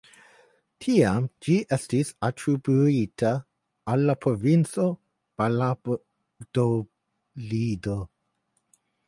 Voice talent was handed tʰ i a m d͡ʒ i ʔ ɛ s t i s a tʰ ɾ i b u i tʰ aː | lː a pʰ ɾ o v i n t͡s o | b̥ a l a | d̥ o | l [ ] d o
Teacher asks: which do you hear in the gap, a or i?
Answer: i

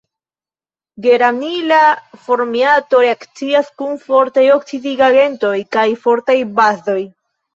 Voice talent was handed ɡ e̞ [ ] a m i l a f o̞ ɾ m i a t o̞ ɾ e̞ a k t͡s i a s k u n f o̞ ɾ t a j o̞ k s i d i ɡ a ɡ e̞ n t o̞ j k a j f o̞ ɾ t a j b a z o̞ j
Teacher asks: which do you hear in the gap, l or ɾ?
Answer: ɾ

